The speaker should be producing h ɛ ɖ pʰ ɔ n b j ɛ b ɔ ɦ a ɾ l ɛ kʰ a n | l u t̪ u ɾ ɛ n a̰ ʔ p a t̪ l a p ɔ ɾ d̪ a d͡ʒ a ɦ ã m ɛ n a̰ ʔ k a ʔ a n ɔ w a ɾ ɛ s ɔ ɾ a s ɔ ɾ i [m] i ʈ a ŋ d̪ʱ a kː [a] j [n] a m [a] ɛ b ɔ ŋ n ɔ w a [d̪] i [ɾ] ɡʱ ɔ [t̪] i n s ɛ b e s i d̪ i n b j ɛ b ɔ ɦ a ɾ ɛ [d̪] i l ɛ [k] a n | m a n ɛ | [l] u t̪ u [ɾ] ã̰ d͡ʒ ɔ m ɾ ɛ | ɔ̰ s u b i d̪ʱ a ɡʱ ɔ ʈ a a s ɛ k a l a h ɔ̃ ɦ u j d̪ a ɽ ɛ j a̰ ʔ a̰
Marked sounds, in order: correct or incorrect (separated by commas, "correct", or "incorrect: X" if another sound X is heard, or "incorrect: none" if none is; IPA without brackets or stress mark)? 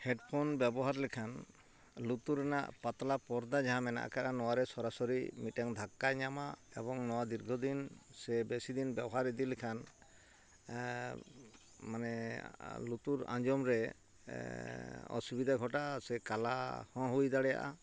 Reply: correct, correct, incorrect: ɲ, correct, correct, correct, incorrect: d̪, correct, incorrect: kʰ, correct, correct